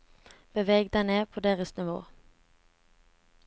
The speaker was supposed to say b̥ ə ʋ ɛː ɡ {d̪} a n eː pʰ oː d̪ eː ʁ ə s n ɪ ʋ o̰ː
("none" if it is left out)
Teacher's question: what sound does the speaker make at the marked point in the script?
d̪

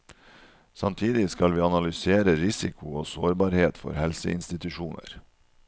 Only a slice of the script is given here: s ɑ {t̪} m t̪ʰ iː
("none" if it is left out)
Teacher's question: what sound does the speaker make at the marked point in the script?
none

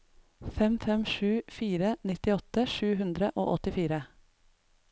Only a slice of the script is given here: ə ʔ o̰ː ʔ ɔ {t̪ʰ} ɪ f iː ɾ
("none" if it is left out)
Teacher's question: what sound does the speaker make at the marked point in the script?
t̪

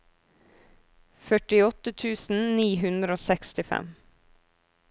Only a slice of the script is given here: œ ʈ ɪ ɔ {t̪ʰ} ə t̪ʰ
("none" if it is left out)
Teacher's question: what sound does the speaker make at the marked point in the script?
t̪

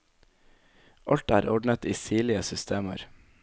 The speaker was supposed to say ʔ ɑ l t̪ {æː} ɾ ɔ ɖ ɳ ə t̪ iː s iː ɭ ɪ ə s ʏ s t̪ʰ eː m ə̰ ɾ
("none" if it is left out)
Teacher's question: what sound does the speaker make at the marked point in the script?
æː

